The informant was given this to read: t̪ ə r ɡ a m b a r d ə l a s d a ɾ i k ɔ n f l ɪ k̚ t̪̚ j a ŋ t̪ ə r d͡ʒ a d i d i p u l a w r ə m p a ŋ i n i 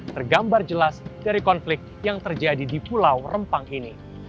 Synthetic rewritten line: t̪ ə r ɡ a m b a r d͡ʒ ə l a s d a ɾ i k ɔ n f l ɪ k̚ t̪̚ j a ŋ t̪ ə r d͡ʒ a d i d i p u l a w r ə m p a ŋ i n i